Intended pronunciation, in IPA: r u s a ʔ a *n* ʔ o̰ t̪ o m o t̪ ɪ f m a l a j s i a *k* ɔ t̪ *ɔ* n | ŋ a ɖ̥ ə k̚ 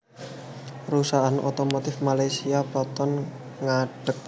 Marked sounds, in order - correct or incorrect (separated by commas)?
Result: correct, incorrect, correct